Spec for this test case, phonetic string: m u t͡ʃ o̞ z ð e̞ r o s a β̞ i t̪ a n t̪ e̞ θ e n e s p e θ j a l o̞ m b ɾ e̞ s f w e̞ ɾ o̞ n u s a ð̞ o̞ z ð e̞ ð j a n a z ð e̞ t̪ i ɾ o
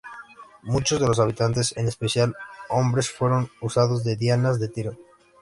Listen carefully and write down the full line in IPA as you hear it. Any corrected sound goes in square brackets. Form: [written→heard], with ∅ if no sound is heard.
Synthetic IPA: m u t͡ʃ o̞ z ð e̞ [r→l] o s a β̞ i t̪ a n t̪ e̞ [θ→s] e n e s p e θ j a l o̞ m b ɾ e̞ s f w e̞ ɾ o̞ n u s a ð̞ o̞ z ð e̞ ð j a n a z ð e̞ t̪ i ɾ o

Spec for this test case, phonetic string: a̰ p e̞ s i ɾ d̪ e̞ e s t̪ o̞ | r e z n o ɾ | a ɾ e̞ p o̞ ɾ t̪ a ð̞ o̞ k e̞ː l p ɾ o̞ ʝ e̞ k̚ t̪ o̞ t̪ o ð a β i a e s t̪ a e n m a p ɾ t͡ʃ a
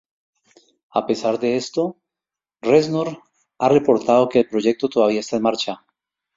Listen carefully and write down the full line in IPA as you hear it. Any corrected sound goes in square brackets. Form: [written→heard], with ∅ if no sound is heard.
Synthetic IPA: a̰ p e̞ s [i→a] ɾ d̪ e̞ e s t̪ o̞ | r e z n o ɾ | a [ɾ→r] e̞ p o̞ ɾ t̪ a ð̞ o̞ k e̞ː l p ɾ o̞ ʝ e̞ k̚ t̪ o̞ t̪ o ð a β i a e s t̪ a e n m a [p→∅] ɾ t͡ʃ a

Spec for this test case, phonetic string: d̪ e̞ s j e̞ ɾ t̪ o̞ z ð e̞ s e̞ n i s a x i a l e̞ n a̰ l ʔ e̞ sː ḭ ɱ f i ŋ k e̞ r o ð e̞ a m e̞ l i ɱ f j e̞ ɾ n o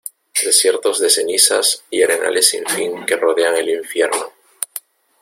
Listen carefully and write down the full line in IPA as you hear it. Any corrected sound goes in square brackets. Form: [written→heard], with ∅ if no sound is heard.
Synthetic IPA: d̪ e̞ s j e̞ ɾ t̪ o̞ z ð e̞ s e̞ n i s a [x→s] i a [l→ɾ] e̞ n a̰ l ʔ e̞ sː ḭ ɱ f i ŋ k e̞ r o ð e̞ a [m→ŋ] e̞ l i ɱ f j e̞ ɾ n o

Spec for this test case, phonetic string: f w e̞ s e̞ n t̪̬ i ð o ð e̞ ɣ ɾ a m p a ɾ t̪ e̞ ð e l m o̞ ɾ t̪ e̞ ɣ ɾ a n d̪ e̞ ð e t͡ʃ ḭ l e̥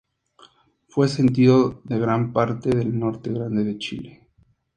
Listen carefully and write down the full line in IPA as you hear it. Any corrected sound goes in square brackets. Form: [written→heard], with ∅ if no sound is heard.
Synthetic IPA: f w e̞ s e̞ n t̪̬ i ð o ð e̞ ɣ ɾ a m p a ɾ t̪ e̞ ð e l [m→n] o̞ ɾ t̪ e̞ ɣ ɾ a n d̪ e̞ ð e t͡ʃ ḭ l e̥

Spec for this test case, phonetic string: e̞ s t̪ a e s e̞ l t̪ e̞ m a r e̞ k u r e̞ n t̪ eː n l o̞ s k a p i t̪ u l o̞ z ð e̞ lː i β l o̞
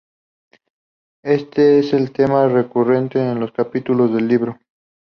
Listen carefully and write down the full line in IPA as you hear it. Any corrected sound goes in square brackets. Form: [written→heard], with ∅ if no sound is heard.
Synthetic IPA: e̞ s t̪ [a→e] e s e̞ l t̪ e̞ m a r e̞ k u r e̞ n t̪ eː n l o̞ s k a p i t̪ u l o̞ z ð e̞ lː i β [l→ɾ] o̞

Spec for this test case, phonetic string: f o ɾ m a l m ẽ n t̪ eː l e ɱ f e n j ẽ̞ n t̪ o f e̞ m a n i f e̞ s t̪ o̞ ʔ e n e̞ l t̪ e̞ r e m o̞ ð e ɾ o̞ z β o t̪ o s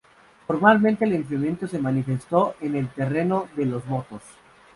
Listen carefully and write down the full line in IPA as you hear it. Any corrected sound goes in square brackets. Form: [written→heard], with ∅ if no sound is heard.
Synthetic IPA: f o ɾ m a l m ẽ n t̪ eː l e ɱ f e [n→m] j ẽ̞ n t̪ o [f→s] e̞ m a n i f e̞ s t̪ o̞ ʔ e n e̞ l t̪ e̞ r e [m→n] o̞ ð e [ɾ→l] o̞ z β o t̪ o s

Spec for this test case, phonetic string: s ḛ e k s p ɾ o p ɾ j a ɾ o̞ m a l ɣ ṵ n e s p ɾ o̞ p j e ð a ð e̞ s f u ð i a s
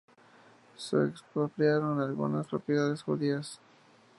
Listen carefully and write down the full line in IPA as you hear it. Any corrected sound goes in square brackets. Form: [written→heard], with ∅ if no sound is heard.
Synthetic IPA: s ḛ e k s p ɾ o p ɾ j a ɾ o̞ [m→n] a l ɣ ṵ n [e→a] s p ɾ o̞ p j e ð a ð e̞ s [f→x] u ð i a s

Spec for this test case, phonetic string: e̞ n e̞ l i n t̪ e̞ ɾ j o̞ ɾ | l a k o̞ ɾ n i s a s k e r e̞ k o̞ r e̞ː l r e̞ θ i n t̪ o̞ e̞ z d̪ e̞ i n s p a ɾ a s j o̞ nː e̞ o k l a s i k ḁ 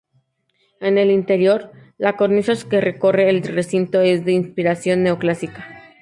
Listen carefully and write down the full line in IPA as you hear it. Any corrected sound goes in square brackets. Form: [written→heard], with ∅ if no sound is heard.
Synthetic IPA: e̞ n e̞ l i n t̪ e̞ ɾ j o̞ ɾ | l a k o̞ ɾ n i s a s k e r e̞ k o̞ r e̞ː l r e̞ [θ→s] i n t̪ o̞ e̞ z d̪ e̞ i n s p [a→i] ɾ a s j o̞ nː e̞ o k l a s i k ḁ

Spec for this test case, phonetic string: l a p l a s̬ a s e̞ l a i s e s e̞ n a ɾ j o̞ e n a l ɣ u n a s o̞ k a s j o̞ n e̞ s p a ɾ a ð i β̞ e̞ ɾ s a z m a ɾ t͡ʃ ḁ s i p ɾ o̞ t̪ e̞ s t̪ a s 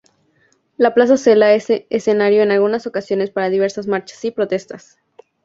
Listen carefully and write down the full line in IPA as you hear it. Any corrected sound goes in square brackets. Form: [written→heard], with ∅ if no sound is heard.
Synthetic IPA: l a p l a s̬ a s e̞ l a [i→e] s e s e̞ n a ɾ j o̞ e n a l ɣ u n a s o̞ k a s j o̞ n e̞ s p a ɾ a ð i β̞ e̞ ɾ s a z m a ɾ t͡ʃ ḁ s i p ɾ o̞ t̪ e̞ s t̪ a s

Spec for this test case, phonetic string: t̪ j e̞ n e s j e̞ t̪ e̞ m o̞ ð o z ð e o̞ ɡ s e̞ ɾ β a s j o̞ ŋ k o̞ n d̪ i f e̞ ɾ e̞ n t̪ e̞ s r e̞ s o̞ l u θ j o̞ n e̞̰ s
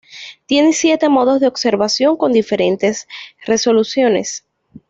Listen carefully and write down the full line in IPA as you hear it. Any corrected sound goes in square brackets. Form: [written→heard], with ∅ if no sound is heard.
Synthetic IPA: t̪ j e̞ n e s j e̞ t̪ e̞ m o̞ ð o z ð e o̞ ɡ s e̞ ɾ β a s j o̞ ŋ k o̞ n d̪ i f e̞ ɾ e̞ n t̪ e̞ s r e̞ s o̞ l u [θ→s] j o̞ n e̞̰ s

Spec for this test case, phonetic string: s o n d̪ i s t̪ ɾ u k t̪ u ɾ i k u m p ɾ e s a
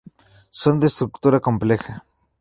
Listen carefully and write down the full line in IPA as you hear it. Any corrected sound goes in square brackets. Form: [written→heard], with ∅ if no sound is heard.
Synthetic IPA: s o n d̪ [i→e] s t̪ ɾ u k t̪ u ɾ [i→a] k [u→o] m p [ɾ→l] e [s→x] a

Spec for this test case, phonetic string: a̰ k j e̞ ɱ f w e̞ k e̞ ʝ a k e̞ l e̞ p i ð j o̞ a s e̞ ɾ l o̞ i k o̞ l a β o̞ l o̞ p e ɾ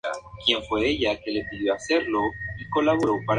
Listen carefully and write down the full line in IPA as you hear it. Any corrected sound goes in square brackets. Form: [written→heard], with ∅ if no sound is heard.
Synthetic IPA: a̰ k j e̞ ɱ f w e̞ [k→∅] e̞ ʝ a k e̞ l e̞ p i ð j o̞ a s e̞ ɾ l o̞ i k o̞ l a β o̞ [l→ɾ] o̞ p [e→a] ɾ

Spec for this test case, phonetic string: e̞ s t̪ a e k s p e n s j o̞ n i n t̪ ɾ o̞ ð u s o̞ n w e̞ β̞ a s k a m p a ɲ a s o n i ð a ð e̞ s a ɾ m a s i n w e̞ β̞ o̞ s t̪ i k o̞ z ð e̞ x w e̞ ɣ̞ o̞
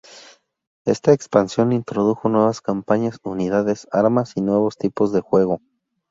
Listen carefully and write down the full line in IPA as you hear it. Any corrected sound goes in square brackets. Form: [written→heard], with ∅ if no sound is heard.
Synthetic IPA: e̞ s t̪ a e k s p [e→a] n s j o̞ n i n t̪ ɾ o̞ ð u [s→x] o̞ n w e̞ β̞ a s k a m p a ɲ a s [o→u] n i ð a ð e̞ s a ɾ m a s i n w e̞ β̞ o̞ s t̪ i [k→p] o̞ z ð e̞ x w e̞ ɣ̞ o̞

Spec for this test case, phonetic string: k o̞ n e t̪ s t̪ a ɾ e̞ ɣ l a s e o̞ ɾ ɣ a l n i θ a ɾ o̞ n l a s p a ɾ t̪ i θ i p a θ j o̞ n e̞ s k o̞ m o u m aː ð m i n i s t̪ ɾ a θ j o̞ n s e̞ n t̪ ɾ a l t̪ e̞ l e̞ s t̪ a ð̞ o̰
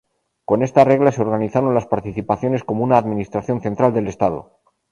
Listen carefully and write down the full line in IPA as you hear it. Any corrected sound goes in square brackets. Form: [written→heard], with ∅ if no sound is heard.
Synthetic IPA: k o̞ n e [t̪→∅] s t̪ a [ɾ→r] e̞ ɣ l a s e o̞ ɾ ɣ a [l→∅] n i θ a ɾ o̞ n l a s p a ɾ t̪ i θ i p a θ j o̞ n e̞ s k o̞ m o u [m→n] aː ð m i n i s t̪ ɾ a θ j o̞ n [s→θ] e̞ n t̪ ɾ a l [t̪→d̪] e̞ l e̞ s t̪ a ð̞ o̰

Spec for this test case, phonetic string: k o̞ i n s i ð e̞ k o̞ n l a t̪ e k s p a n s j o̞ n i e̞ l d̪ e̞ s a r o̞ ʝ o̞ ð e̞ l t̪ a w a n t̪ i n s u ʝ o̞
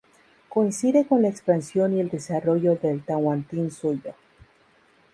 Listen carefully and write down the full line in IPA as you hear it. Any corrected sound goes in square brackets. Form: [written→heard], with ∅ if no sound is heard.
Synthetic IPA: k o̞ i n s i ð e̞ k o̞ n l a [t̪→∅] e k s p a n s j o̞ n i e̞ l d̪ e̞ s a r o̞ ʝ o̞ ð e̞ l t̪ a w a n t̪ i n s u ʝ o̞

